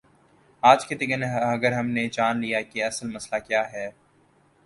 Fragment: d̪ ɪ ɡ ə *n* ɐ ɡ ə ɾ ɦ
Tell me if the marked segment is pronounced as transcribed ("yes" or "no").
yes